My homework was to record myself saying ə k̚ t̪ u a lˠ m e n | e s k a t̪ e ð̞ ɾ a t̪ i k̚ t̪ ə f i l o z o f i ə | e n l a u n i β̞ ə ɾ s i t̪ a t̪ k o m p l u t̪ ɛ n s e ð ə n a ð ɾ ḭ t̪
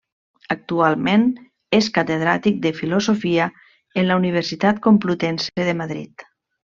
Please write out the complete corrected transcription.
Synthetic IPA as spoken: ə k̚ t̪ u a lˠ m e n | e s k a t̪ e ð̞ ɾ a t̪ i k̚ d̪ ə f i l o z o f i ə | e n l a u n i β̞ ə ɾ s i t̪ a t̪ k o m p l u t̪ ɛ n s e ð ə m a ð ɾ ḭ t̪